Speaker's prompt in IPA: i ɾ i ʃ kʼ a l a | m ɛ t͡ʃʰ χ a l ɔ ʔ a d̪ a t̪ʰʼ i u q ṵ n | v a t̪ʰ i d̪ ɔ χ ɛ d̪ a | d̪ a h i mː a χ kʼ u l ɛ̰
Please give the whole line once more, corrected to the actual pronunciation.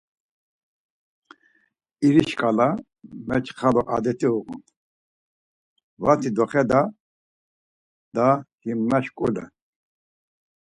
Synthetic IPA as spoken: i ɾ i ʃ kʼ a l a | m ɛ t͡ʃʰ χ a l ɔ ʔ a d̪ ɛ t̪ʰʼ i u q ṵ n | v a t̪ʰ i d̪ ɔ χ ɛ d̪ a | d̪ a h i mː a ʃ kʼ u l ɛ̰